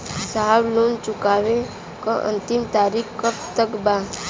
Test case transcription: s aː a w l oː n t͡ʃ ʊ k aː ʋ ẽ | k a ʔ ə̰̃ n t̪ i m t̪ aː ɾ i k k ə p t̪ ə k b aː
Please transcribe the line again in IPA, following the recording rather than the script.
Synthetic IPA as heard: s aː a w l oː n t͡ʃ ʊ k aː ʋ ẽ | k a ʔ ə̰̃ n t̪ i m t̪ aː ɾ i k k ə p t̪ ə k b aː

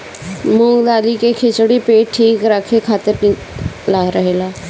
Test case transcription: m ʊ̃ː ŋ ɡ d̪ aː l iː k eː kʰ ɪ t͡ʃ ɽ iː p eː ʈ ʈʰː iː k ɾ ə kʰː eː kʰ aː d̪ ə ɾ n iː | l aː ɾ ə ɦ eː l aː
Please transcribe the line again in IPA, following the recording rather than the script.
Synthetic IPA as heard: m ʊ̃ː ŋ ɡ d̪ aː l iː k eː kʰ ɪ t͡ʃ ɽ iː p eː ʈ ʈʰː iː k ɾ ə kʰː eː kʰ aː t̪ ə ɾ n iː | l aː ɾ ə ɦ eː l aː

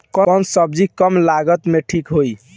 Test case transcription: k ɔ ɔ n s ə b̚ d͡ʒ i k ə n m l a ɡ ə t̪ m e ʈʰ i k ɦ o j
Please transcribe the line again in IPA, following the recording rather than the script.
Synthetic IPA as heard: k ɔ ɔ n s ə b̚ d͡ʒ i k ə m l a ɡ ə t̪ m e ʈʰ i k ɦ o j

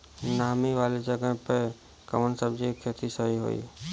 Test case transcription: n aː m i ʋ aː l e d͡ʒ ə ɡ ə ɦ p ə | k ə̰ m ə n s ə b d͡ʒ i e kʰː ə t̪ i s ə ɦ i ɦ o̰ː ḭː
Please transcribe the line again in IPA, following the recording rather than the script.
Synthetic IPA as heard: n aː m i ʋ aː l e d͡ʒ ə ɡ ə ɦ p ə | k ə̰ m ə n s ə b d͡ʒ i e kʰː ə t̪ i s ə ɦ i ɦ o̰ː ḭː

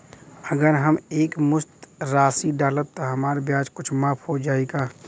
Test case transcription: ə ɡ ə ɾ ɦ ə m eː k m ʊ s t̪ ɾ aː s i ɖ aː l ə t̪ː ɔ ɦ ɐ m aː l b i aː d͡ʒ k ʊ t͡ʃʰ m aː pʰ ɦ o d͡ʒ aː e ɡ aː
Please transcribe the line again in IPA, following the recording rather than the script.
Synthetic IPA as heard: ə ɡ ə ɾ ɦ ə m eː k m ʊ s t̪ ɾ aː s i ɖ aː l ə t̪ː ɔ ɦ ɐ m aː ɾ b j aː d͡ʒ k ʊ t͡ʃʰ m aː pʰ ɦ o d͡ʒ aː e ɡ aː

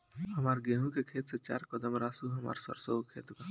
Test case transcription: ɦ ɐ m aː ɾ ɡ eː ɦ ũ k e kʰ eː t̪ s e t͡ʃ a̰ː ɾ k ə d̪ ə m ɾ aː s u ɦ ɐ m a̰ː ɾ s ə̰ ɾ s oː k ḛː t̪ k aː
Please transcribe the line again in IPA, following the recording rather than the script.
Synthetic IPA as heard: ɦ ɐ m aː ɾ ɡ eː ɦ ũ k e kʰ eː t̪ s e t͡ʃ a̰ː ɾ k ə d̪ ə m ɾ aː s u ɦ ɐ m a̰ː ɾ s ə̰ ɾ s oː kʰ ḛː t̪ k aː

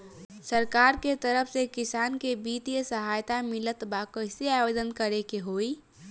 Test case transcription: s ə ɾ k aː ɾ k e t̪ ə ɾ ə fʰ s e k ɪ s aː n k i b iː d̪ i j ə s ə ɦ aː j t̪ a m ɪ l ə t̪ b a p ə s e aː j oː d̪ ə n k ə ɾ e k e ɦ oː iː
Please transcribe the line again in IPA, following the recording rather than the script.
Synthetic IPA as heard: s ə ɾ k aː ɾ k e t̪ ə ɾ ə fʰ s e k ɪ s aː n k e b iː t̪ i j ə s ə ɦ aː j t̪ a m ɪ l ə t̪ b a k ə s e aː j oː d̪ ə n k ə ɾ e k e ɦ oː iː

